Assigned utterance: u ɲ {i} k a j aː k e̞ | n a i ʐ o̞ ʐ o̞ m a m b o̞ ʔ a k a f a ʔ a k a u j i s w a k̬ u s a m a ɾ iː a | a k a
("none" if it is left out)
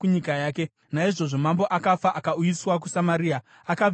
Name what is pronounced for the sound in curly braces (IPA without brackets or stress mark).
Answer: i